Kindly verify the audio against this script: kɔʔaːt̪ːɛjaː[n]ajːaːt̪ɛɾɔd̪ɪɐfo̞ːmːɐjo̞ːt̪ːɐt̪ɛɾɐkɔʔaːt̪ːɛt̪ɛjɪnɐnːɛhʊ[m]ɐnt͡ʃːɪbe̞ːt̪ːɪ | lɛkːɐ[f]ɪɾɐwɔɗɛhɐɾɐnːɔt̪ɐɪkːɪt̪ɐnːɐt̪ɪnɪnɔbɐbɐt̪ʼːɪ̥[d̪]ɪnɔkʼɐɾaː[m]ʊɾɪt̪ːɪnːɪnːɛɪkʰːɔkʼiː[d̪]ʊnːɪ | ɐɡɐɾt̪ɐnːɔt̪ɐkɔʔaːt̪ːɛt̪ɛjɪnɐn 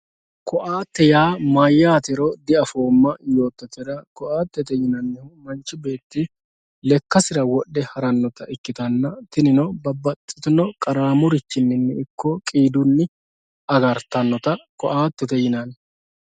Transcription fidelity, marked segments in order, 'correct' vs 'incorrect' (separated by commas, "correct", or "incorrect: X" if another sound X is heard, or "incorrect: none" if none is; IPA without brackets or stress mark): incorrect: m, correct, incorrect: s, incorrect: t̪, correct, correct